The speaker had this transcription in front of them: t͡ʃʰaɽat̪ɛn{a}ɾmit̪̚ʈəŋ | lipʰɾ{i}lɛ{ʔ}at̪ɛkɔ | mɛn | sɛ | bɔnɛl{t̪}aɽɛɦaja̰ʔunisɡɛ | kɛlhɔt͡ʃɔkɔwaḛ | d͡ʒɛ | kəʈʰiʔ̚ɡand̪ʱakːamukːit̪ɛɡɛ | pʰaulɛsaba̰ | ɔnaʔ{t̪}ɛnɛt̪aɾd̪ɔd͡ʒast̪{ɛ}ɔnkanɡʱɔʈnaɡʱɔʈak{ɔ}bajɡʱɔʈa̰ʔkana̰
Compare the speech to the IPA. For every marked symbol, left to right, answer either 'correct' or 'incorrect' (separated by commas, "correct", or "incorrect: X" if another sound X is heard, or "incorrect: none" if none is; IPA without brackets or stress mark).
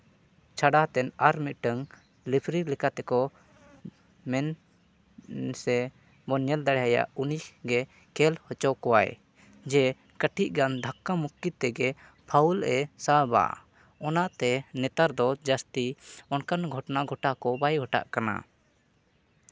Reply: correct, correct, incorrect: k, incorrect: d̪, correct, incorrect: i, correct